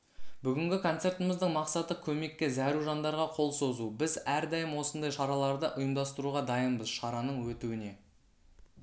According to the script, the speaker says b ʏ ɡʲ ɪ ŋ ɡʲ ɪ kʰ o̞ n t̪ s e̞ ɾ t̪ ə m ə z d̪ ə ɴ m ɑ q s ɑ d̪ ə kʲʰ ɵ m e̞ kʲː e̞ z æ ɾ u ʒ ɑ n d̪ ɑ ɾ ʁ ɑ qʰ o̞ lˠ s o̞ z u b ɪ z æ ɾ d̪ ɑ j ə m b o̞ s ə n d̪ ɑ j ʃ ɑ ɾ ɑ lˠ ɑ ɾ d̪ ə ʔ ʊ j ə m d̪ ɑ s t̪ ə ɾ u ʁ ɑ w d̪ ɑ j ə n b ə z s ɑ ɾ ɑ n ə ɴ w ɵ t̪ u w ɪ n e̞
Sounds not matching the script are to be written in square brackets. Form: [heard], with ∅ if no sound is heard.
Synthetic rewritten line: b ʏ ɡʲ ɪ ŋ ɡʲ ɪ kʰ o̞ n t̪ s e̞ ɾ t̪ ə m ə z d̪ ə ɴ m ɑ q s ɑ [t̪] ə kʲʰ ɵ m e̞ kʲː e̞ z æ ɾ u ʒ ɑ n d̪ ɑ ɾ ʁ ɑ qʰ o̞ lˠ s o̞ z u b ɪ z æ ɾ d̪ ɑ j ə m [w] o̞ s ə n d̪ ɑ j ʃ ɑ ɾ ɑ lˠ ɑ ɾ d̪ ə ʔ ʊ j ə m d̪ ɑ s t̪ ə ɾ u ʁ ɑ [∅] d̪ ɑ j ə n b ə z [ʃ] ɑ ɾ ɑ n ə ɴ w ɵ t̪ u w ɪ n e̞